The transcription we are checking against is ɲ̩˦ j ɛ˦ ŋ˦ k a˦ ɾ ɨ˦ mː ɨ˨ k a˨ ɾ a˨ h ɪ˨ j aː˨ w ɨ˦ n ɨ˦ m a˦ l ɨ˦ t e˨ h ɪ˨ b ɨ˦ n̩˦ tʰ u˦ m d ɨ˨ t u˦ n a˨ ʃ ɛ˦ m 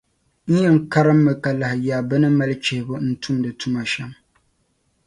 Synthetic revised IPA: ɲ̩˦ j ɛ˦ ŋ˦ k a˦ ɾ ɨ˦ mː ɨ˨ k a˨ l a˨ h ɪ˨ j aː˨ b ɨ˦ n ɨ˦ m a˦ l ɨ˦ t͡ʃ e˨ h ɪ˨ b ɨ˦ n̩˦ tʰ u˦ m d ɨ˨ t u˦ m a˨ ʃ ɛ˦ m